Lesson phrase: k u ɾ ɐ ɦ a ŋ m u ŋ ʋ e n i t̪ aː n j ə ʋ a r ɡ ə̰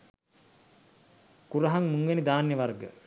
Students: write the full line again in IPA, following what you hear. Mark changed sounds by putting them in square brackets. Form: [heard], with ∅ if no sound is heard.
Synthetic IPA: k u ɾ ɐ ɦ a ŋ m u ŋ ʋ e n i [d̪] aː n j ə ʋ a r ɡ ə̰